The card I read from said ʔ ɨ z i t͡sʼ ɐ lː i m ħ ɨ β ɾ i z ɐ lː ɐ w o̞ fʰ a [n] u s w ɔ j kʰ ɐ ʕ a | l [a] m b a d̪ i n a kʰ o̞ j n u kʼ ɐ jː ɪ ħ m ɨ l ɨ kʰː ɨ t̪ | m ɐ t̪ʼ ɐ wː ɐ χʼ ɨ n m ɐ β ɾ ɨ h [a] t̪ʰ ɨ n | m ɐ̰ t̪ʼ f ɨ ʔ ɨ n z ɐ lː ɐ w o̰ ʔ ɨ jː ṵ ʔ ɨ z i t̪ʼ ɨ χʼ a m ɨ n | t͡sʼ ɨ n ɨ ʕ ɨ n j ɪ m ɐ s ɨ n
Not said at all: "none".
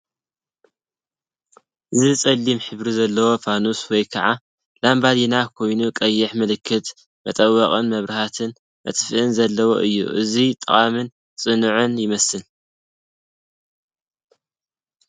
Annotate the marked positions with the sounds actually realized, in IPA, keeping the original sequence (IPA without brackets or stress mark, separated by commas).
n, a, a